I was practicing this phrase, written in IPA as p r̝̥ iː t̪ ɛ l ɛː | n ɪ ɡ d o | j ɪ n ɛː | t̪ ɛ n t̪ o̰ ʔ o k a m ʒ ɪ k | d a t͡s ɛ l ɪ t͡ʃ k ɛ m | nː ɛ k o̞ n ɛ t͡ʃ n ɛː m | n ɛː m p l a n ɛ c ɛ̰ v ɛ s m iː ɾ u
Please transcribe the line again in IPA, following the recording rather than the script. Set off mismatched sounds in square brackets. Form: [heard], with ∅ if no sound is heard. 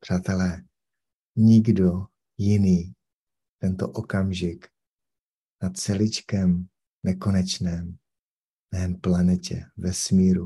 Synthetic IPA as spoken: p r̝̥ [aː] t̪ ɛ l ɛː | [ɲ] ɪ ɡ d o | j ɪ n [iː] | t̪ ɛ n t̪ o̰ ʔ o k a m ʒ ɪ k | [n] a t͡s ɛ l ɪ t͡ʃ k ɛ m | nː ɛ k o̞ n ɛ t͡ʃ n ɛː m | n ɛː m p l a n ɛ c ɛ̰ v ɛ s m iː ɾ u